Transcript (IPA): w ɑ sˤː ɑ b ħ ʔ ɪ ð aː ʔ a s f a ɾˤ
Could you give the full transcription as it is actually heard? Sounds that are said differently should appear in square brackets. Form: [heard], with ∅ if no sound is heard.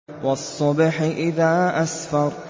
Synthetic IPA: w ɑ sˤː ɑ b ħ ʔ ɪ ð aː ʔ a s f [ɑ] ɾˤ